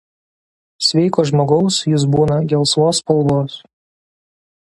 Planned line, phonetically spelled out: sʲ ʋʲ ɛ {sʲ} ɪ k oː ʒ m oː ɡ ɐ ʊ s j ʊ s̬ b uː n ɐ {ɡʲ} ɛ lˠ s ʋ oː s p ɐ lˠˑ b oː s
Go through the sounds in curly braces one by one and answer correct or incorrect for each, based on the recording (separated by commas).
incorrect, correct